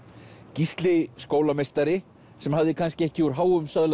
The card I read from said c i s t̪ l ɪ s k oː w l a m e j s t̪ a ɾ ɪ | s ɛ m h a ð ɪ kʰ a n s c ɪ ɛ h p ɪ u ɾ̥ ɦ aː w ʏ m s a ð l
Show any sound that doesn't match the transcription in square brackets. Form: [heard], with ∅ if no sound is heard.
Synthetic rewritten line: c i s t̪ l ɪ s k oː w l a m e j s t̪ a ɾ ɪ | s ɛ m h a ð ɪ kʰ a n s c ɪ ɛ h [c] ɪ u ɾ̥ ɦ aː w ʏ m s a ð l